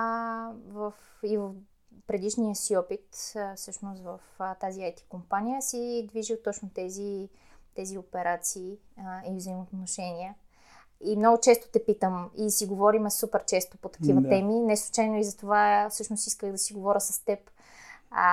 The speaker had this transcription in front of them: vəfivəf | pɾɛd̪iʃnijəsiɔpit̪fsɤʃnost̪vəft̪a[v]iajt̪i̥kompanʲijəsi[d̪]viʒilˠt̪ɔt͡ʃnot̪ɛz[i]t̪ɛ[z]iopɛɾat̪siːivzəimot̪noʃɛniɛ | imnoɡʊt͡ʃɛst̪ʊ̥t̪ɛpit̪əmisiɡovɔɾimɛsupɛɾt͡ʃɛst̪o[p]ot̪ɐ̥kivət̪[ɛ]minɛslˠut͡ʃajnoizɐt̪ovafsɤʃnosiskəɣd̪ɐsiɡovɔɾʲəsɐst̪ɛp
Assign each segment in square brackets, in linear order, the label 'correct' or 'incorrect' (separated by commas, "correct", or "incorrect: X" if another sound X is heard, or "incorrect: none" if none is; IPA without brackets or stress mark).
incorrect: z, correct, correct, correct, correct, correct